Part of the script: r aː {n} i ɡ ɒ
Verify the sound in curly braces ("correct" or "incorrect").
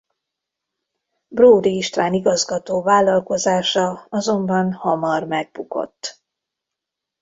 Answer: correct